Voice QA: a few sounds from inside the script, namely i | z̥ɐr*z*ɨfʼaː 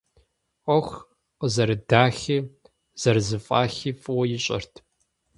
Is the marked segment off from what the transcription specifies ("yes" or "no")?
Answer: no